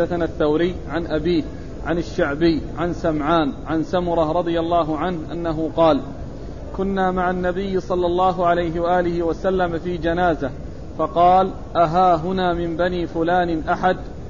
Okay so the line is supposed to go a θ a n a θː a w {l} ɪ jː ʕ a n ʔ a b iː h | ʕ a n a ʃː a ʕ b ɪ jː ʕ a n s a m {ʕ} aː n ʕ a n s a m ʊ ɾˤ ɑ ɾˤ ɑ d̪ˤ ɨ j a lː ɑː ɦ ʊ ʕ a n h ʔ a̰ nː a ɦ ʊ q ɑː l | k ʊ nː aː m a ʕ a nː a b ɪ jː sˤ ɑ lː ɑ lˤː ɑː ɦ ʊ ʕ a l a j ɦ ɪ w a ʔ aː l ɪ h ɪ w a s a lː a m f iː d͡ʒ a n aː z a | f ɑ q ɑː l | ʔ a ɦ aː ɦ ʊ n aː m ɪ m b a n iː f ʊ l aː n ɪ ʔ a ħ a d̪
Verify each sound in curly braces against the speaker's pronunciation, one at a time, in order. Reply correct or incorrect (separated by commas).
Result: incorrect, correct